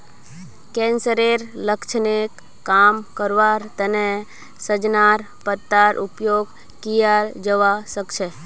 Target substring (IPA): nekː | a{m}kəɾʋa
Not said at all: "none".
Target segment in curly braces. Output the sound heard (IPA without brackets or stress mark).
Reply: m